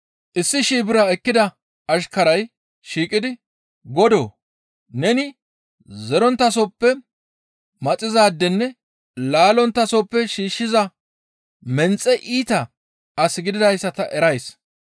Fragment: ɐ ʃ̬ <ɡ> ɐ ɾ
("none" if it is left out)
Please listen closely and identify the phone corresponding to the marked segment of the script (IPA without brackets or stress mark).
k